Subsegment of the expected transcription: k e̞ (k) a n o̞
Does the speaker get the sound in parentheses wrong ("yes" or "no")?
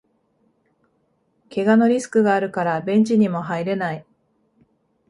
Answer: yes